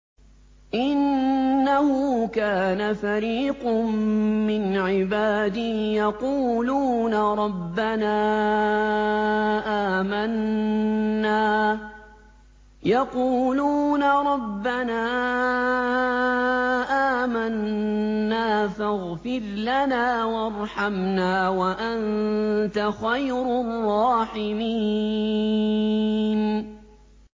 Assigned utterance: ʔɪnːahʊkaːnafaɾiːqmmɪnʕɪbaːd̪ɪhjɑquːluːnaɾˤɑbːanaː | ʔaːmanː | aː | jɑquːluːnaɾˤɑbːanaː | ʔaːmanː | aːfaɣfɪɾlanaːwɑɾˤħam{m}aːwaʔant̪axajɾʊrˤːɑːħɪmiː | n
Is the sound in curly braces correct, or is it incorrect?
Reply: incorrect: n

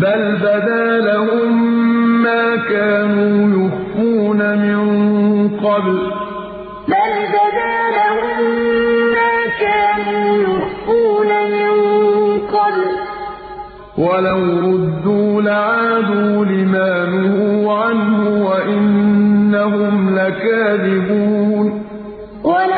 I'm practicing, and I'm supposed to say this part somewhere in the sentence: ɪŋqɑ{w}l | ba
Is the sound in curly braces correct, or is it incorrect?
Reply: incorrect: b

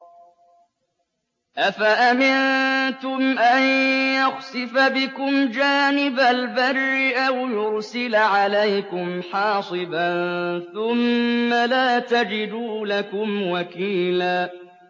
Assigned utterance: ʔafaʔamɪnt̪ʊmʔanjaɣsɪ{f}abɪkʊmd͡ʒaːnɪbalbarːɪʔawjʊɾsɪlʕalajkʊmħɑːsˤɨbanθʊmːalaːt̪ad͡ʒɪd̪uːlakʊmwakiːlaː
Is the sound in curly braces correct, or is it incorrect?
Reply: correct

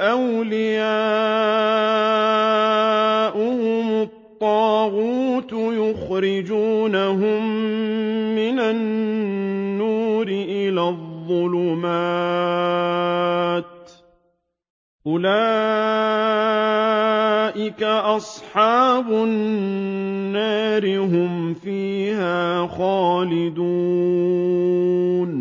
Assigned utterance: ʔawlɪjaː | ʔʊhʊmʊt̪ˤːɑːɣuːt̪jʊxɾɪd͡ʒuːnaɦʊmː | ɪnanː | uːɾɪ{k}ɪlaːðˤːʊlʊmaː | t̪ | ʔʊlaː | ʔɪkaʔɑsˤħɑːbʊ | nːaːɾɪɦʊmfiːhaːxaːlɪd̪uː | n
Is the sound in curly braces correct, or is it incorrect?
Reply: incorrect: ʔ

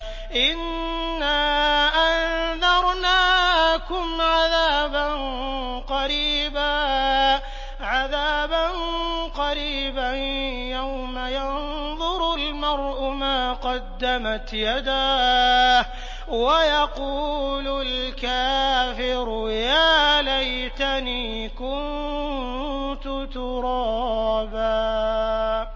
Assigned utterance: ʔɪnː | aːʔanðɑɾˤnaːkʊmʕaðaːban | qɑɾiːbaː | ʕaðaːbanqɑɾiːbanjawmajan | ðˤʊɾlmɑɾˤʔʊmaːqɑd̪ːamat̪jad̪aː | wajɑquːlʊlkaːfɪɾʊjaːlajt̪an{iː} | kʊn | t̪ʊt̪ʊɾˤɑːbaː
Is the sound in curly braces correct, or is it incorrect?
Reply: correct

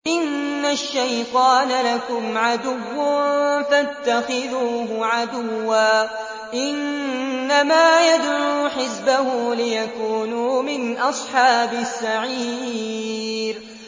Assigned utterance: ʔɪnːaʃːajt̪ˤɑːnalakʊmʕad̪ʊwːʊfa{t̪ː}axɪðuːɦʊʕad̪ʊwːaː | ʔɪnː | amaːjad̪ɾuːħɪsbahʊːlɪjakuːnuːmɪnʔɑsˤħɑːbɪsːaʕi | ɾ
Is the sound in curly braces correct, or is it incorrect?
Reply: correct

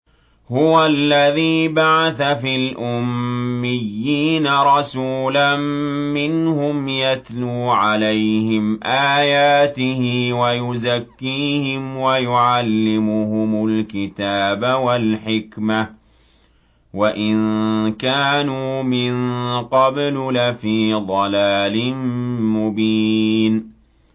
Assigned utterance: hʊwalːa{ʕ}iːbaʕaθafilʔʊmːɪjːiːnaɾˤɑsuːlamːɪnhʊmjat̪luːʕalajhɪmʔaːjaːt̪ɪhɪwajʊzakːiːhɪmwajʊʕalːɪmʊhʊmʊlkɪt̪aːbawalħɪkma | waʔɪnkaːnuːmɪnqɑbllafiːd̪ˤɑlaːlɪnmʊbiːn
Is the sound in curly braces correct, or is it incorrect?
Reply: incorrect: ð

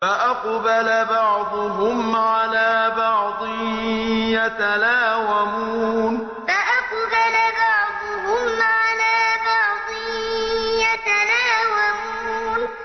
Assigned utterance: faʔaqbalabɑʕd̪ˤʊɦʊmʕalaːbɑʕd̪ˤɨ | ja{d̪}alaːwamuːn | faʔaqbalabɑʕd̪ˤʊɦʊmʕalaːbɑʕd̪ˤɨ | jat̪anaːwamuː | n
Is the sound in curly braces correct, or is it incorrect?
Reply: incorrect: t̪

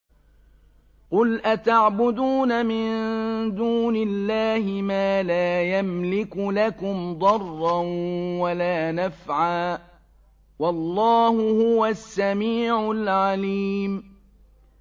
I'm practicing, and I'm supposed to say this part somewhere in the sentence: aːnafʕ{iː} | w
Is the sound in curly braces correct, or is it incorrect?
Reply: incorrect: aː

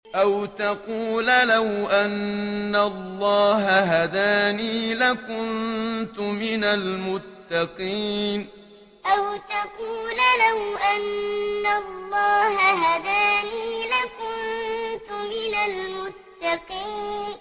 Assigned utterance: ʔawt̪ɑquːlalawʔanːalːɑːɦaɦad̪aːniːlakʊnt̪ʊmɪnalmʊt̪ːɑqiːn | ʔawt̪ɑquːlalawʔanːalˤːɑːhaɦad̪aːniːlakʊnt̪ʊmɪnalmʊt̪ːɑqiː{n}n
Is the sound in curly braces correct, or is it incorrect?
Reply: correct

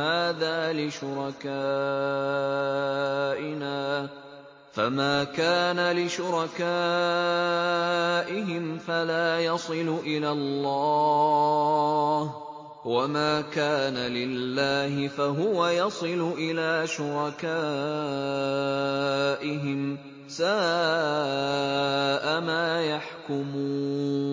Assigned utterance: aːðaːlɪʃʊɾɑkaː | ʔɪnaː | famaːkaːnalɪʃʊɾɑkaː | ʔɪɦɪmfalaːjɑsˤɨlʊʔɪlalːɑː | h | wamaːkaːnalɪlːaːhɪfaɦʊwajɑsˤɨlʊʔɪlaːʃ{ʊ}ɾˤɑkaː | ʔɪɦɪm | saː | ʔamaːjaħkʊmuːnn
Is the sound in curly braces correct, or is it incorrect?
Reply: correct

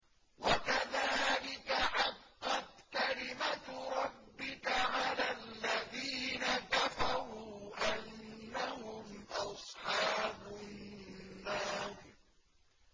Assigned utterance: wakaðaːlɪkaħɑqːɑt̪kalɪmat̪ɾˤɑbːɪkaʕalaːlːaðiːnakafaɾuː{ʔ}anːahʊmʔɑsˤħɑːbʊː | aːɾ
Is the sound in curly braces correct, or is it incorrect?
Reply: correct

